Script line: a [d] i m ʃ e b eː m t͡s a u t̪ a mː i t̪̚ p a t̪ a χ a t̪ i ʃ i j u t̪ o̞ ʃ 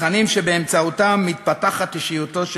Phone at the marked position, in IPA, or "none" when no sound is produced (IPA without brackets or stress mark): n